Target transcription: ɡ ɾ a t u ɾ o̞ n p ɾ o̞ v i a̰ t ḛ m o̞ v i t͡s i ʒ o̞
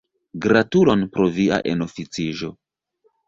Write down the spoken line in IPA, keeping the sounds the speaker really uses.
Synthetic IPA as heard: ɡ ɾ a t u l o̞ n p ɾ o̞ v i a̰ ʔ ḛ n o̞ f i t͡s i ʒ o̞